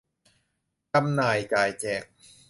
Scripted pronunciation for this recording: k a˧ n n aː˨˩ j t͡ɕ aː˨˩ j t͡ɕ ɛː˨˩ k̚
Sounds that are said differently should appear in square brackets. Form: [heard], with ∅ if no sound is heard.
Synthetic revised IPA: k a˧ [m] n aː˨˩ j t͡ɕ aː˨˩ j t͡ɕ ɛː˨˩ k̚